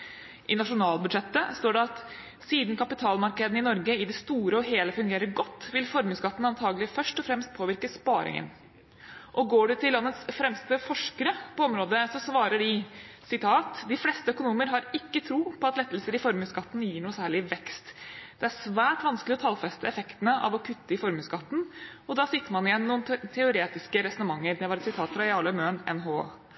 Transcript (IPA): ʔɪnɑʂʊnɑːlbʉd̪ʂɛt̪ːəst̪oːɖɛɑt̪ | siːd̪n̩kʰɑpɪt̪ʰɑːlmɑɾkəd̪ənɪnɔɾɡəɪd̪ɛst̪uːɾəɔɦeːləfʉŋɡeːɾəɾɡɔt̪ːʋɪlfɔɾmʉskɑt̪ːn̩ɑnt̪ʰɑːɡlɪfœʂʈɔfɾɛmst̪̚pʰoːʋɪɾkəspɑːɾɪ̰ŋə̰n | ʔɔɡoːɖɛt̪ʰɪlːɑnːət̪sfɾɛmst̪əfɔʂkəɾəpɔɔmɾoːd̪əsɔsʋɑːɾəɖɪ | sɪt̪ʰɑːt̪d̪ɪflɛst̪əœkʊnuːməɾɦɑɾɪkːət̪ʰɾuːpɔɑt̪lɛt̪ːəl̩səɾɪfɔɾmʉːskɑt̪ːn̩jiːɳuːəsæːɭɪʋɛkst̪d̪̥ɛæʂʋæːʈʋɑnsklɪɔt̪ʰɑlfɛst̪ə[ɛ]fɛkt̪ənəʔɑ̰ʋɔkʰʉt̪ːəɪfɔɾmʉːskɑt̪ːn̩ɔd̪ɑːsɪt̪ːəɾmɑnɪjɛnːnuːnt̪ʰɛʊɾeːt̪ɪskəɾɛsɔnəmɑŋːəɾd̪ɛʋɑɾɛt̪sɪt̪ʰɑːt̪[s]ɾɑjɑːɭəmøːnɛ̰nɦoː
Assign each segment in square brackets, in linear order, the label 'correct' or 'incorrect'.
correct, incorrect: f

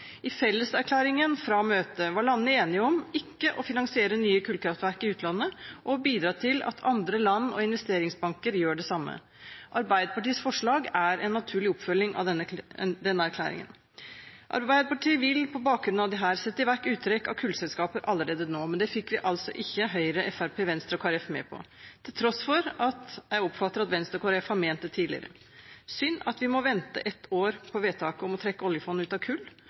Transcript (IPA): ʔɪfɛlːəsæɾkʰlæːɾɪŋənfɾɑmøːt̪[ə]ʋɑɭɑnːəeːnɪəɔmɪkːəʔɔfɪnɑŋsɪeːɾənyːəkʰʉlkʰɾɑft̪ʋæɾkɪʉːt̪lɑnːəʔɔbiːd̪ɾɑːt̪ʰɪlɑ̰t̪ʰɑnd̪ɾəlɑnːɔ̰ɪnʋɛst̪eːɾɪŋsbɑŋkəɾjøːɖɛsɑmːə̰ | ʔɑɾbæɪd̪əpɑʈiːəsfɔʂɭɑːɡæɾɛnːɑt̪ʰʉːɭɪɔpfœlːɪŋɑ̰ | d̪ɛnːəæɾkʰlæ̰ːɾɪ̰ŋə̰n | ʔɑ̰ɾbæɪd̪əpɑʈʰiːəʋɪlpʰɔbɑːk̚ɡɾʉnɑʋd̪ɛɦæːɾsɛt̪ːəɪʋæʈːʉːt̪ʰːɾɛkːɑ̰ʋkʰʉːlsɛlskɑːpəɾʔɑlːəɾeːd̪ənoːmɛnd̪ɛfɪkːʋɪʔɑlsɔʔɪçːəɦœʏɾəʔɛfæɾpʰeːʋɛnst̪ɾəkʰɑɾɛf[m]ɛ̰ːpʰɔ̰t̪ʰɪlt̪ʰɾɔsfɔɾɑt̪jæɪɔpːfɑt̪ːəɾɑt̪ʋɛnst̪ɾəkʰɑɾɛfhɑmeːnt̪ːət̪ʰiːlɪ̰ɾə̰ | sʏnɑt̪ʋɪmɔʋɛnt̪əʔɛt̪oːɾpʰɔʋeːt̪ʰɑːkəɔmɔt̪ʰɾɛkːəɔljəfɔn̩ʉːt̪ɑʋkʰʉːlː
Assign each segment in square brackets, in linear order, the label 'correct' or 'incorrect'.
correct, correct

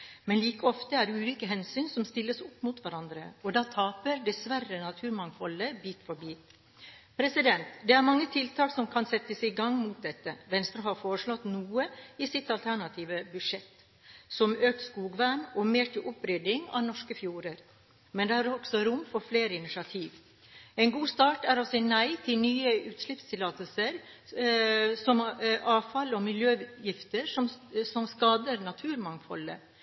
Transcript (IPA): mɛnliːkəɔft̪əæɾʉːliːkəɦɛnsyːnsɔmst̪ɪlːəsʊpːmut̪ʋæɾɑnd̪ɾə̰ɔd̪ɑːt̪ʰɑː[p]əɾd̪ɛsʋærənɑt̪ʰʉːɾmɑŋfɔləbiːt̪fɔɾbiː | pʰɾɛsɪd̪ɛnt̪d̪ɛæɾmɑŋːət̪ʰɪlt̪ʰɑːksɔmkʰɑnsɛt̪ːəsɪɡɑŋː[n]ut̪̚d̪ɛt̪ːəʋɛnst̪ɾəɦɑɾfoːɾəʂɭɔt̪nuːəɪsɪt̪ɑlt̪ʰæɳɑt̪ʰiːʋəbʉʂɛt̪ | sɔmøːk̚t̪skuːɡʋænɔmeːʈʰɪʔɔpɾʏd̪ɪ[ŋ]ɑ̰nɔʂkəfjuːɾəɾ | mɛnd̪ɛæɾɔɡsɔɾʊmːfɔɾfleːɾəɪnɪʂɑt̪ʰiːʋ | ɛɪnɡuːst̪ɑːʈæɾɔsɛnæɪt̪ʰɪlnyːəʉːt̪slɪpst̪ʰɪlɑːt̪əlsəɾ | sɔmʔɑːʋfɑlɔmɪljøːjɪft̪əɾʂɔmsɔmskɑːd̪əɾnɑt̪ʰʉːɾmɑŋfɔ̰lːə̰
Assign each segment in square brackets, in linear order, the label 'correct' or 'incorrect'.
correct, incorrect: m, correct

